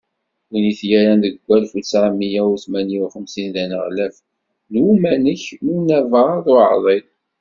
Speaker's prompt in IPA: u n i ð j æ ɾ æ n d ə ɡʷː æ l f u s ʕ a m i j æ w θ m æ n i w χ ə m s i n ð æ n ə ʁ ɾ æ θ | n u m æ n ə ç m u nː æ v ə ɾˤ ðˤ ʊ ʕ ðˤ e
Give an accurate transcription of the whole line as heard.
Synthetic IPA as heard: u n i θ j æ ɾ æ n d ə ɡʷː æ l f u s ʕ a m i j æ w θ m æ n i w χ ə m s i n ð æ n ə ʁ l æ f | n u m æ n ə ç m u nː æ v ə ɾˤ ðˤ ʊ ʕ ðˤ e